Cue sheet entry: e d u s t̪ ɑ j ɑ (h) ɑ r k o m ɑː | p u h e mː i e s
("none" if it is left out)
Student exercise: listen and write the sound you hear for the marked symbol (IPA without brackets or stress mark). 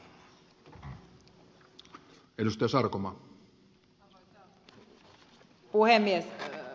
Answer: s